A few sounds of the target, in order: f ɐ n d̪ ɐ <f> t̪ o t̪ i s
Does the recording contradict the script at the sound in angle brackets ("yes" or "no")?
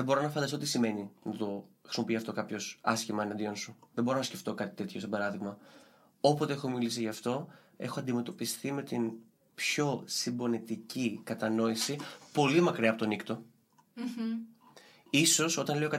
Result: yes